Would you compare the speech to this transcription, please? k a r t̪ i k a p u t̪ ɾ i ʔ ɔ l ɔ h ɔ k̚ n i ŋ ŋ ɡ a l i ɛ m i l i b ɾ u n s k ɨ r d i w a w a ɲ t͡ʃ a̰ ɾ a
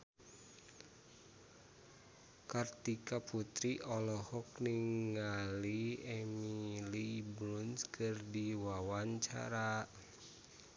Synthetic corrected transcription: k a r t̪ i k a p u t̪ ɾ i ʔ ɔ l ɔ h ɔ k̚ n i ŋ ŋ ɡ a l i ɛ m i l i b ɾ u n s k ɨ r d i w a w a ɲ t͡ʃ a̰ ɾ a